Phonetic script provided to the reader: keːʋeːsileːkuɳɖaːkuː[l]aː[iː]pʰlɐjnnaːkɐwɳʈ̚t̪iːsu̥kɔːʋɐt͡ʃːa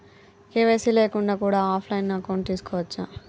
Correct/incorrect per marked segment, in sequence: incorrect: ɽ, incorrect: aː

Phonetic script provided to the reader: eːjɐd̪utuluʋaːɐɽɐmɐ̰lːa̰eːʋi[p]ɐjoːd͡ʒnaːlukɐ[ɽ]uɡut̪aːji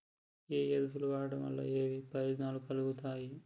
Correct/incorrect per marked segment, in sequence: correct, incorrect: l

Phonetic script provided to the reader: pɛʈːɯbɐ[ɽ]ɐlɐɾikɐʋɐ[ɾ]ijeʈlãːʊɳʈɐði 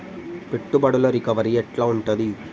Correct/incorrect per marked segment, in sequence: correct, correct

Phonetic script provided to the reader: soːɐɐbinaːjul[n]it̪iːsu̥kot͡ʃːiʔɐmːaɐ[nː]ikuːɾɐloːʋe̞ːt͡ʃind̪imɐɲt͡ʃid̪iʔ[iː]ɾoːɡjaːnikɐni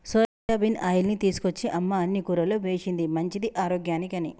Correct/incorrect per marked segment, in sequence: correct, correct, incorrect: aː

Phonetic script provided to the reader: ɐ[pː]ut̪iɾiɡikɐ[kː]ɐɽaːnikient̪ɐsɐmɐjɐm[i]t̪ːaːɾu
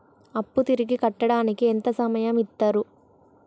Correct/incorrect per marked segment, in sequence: correct, incorrect: ʈː, correct

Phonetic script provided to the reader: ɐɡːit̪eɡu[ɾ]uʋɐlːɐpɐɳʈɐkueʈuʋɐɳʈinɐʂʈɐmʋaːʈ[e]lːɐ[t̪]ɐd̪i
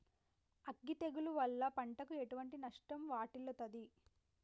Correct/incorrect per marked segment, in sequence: incorrect: l, incorrect: i, correct

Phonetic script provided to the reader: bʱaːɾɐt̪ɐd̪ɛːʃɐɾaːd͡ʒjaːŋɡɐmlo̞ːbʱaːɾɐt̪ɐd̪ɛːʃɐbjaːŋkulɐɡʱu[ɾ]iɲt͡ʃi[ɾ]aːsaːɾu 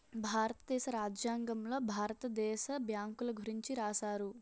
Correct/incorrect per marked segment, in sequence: correct, correct

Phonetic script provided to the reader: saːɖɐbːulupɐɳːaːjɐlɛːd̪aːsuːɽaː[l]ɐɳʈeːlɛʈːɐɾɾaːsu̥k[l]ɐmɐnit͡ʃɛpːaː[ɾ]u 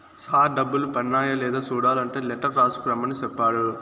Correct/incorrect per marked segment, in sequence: correct, incorrect: ɾ, incorrect: ɽ

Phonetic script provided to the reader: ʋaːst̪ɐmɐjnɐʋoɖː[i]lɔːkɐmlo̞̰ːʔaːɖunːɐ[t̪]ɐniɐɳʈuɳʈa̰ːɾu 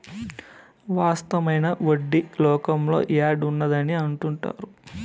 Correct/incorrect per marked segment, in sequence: correct, incorrect: d̪

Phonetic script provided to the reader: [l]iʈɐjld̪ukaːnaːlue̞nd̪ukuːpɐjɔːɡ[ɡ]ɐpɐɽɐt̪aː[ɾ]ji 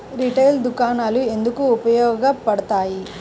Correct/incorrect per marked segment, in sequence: incorrect: ɾ, correct, incorrect: none

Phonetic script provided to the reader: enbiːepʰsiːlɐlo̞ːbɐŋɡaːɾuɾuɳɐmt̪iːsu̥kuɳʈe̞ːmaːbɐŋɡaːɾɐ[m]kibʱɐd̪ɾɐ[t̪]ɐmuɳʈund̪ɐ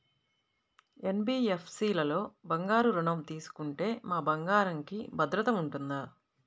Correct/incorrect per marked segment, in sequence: incorrect: ŋ, correct

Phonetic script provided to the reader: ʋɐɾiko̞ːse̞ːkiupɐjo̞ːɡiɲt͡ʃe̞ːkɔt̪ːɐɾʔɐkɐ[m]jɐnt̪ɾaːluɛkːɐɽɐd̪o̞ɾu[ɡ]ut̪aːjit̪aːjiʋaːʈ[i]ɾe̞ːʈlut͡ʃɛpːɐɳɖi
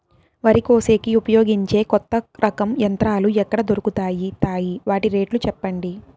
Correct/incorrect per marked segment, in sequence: correct, incorrect: k, correct

